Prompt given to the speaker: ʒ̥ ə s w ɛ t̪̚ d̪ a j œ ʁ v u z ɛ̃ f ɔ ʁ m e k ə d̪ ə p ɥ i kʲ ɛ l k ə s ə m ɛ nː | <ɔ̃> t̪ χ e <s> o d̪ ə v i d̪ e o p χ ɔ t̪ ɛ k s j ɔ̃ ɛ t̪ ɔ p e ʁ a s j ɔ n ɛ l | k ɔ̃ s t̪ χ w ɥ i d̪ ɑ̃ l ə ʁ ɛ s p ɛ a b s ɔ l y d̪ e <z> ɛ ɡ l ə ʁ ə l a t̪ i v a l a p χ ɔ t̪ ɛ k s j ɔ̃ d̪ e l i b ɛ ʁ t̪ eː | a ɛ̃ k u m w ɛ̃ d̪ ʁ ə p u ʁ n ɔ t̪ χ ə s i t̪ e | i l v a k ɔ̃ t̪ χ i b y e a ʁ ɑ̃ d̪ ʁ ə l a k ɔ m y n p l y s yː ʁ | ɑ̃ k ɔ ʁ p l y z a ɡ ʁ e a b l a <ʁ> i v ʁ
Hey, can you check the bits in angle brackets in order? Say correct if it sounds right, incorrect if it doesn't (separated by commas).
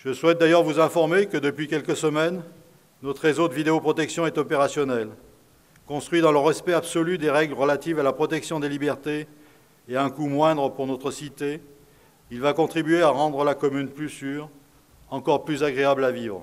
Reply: incorrect, incorrect, incorrect, incorrect